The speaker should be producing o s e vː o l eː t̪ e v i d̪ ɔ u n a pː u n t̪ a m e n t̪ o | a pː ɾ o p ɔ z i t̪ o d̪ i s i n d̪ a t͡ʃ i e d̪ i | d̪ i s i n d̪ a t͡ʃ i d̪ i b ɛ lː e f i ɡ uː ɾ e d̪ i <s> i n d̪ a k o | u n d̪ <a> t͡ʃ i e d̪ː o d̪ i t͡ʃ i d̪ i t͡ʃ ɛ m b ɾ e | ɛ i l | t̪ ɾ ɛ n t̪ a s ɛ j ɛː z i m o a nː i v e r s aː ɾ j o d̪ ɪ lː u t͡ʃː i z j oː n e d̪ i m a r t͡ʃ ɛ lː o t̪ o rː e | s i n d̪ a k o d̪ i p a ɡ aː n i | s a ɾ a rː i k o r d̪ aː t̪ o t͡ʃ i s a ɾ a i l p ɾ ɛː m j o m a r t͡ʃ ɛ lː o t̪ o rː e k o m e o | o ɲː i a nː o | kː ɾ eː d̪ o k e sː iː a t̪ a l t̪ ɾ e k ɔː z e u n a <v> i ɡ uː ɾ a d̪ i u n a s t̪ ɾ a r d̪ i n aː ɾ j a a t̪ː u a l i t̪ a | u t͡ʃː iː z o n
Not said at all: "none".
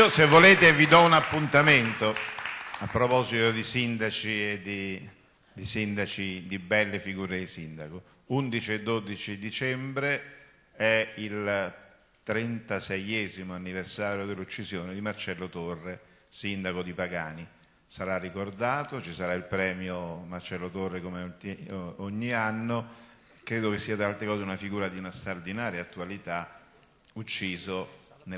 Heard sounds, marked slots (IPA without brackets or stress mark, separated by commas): s, i, f